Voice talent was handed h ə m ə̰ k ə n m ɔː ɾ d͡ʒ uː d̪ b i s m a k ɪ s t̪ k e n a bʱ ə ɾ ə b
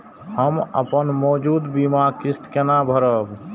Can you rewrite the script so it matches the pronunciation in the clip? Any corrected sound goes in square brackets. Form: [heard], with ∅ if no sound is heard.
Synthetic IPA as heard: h ə m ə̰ [p] ə n m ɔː [∅] d͡ʒ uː d̪ b i [∅] m a k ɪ s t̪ k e n a bʱ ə ɾ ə b